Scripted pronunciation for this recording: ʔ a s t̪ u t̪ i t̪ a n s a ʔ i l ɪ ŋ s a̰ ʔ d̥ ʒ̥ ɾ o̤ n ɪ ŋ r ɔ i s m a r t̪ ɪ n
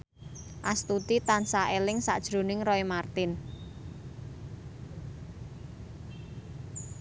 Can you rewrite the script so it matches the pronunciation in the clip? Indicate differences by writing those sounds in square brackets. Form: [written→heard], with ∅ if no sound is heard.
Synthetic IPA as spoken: ʔ a s t̪ u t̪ i t̪ a n s a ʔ [i→e] l ɪ ŋ s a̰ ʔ d̥ ʒ̥ ɾ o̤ n ɪ ŋ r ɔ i [s→∅] m a r t̪ ɪ n